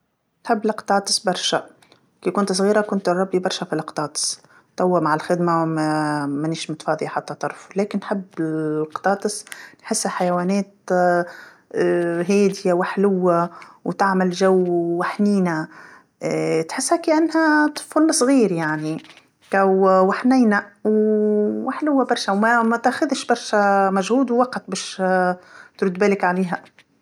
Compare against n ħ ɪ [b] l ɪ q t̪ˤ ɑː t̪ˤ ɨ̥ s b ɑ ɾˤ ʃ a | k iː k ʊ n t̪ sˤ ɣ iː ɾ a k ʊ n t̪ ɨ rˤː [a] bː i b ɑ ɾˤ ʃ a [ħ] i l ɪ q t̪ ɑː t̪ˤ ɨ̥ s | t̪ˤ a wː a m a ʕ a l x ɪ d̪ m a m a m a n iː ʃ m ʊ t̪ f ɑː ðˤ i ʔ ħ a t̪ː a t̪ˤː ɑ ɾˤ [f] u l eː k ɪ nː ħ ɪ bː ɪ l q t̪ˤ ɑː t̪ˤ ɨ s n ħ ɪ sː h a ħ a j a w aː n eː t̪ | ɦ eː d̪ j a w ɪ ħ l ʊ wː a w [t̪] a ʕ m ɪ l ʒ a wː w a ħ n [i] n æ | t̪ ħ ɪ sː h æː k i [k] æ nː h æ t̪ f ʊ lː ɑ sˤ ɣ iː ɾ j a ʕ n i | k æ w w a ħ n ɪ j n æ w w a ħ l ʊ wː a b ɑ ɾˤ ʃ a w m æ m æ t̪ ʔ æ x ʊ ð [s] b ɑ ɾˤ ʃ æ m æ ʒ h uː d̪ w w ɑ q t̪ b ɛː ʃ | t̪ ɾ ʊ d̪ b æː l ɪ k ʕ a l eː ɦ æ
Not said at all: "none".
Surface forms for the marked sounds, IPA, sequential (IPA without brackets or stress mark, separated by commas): bː, ɑ, f, f, t̪, iː, ʔ, ʃ